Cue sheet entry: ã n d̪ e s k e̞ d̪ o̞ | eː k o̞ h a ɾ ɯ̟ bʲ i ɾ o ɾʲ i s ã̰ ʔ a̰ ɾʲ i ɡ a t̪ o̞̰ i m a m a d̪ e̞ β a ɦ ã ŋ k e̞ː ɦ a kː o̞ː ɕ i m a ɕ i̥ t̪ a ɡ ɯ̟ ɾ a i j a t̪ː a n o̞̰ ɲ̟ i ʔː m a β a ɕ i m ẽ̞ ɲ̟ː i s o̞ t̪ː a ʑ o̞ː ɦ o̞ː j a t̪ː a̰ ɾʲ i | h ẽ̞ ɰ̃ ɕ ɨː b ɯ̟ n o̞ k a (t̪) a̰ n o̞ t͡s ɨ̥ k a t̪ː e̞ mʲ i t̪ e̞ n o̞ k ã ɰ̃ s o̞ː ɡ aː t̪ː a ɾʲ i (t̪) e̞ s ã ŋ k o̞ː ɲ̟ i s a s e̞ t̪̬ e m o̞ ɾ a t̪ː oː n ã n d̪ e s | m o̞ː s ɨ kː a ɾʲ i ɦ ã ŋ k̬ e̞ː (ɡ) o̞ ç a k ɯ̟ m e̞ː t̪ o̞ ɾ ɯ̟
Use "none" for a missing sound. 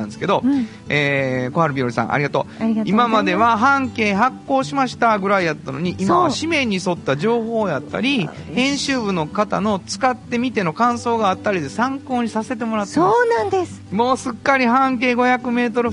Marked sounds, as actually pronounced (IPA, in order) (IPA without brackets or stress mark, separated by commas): t̪, d̪, ɡ